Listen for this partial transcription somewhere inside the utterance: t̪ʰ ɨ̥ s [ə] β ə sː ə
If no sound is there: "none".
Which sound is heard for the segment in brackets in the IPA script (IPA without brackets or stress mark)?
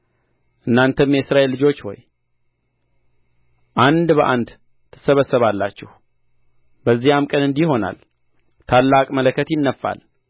ə